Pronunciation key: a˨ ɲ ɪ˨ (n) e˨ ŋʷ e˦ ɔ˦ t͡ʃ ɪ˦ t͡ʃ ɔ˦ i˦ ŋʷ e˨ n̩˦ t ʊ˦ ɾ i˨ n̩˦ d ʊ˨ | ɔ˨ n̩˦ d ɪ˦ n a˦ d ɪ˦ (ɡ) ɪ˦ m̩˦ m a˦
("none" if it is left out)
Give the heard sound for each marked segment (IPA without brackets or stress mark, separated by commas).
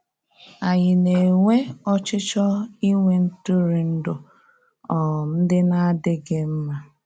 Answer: n, ɡ